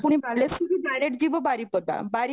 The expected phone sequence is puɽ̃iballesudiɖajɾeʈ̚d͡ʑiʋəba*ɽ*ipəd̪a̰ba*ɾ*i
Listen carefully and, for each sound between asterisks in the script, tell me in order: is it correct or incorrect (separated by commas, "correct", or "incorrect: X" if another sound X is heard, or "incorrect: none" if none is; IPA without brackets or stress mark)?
incorrect: ɾ, correct